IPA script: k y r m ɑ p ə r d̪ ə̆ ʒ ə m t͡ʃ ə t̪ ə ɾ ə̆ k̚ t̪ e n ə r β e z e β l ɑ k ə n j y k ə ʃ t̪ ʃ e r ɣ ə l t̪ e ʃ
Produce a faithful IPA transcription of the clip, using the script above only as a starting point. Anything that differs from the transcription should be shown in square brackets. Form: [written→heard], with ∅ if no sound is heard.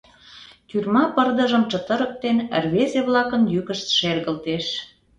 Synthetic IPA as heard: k y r m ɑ p ə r d̪ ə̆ ʒ ə m t͡ʃ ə t̪ ə ɾ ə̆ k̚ t̪ e n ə r β e z e β l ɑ k ə n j y k ə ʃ t̪ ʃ e r ɣ ə l t̪ e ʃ